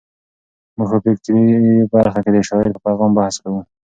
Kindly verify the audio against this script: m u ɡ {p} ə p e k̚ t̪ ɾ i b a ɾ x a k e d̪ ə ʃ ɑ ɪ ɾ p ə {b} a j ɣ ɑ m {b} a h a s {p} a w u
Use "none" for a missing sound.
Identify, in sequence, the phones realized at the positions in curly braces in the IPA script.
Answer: p, p, b, k

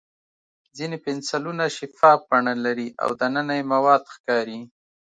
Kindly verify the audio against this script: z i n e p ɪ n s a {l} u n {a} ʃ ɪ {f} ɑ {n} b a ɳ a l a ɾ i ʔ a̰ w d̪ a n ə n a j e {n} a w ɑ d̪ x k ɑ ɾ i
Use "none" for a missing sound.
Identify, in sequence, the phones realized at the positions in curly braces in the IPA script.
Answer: l, a, f, none, m

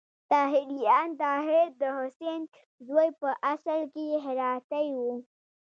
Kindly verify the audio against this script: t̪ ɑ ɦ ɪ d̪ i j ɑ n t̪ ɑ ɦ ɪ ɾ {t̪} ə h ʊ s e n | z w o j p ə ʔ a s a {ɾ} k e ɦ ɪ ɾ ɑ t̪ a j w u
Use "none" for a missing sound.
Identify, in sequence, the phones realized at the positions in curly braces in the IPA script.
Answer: d̪, l

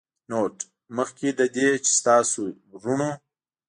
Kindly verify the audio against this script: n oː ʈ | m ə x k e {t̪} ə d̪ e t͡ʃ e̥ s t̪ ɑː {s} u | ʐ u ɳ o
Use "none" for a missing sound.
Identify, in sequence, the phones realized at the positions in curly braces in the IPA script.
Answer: d̪, s

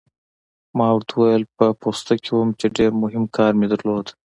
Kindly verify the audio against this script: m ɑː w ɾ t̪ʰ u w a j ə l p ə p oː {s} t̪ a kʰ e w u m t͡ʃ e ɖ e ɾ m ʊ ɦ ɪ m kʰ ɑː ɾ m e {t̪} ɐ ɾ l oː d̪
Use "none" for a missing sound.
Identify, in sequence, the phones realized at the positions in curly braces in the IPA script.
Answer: s, d̪

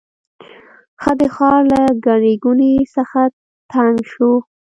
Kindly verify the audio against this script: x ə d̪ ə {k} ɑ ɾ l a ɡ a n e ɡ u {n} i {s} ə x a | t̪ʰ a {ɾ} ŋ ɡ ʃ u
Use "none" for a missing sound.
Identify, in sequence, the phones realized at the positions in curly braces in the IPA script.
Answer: x, n, s, none

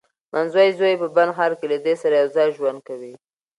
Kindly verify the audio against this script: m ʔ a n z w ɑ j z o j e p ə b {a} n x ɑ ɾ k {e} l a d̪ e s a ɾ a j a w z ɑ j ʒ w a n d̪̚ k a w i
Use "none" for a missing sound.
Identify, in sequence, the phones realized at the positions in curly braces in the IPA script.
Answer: a, e

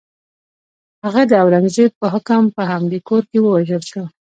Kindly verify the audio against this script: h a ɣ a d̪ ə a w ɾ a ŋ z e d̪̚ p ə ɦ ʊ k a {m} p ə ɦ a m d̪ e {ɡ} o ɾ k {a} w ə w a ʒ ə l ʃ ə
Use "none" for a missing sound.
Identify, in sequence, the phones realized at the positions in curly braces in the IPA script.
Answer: m, k, e

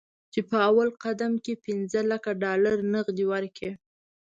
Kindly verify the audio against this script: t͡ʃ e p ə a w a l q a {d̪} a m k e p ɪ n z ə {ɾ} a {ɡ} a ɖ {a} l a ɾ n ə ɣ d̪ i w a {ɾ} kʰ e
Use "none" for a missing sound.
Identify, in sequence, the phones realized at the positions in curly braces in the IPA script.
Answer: d̪, l, k, ɑ, ɾ

